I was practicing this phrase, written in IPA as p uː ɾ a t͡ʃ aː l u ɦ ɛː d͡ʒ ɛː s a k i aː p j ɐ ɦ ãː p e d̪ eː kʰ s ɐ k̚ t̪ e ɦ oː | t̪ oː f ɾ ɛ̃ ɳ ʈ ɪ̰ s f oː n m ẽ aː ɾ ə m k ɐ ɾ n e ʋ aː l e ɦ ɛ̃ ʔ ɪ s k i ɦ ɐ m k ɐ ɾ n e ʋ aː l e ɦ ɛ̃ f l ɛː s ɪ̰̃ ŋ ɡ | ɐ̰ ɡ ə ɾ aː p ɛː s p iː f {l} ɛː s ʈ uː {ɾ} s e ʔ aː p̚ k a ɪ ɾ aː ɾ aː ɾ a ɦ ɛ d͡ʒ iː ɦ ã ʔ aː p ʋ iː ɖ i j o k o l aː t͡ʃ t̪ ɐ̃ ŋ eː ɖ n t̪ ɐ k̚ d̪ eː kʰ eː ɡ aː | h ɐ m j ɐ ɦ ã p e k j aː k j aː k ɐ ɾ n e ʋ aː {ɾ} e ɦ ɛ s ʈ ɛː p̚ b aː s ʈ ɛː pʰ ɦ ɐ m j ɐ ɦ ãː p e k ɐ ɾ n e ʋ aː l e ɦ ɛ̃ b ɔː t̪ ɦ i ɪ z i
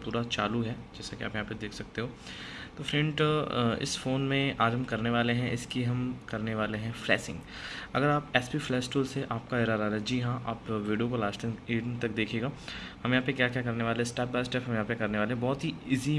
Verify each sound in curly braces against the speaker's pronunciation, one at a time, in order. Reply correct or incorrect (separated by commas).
correct, incorrect, incorrect